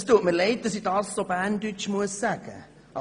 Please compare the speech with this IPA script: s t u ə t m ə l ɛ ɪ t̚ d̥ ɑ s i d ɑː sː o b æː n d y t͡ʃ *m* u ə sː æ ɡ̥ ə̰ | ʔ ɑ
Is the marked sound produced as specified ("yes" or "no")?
yes